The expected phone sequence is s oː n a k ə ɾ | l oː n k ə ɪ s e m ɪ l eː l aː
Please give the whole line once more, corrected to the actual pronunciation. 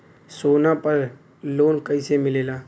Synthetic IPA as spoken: s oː n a p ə ɾ | l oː n k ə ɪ s e m ɪ l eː l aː